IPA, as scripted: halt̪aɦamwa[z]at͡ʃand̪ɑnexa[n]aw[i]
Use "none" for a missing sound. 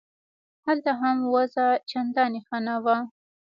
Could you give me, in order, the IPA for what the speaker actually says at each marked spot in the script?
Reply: z, n, a

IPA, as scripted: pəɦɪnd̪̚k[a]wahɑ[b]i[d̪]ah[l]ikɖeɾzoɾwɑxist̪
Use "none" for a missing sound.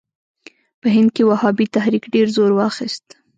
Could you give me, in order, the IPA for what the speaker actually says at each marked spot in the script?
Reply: e, b, t̪, ɾ

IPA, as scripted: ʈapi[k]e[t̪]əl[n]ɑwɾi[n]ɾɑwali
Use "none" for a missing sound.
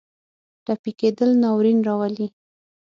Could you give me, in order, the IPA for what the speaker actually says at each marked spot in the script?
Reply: k, d̪, n, n

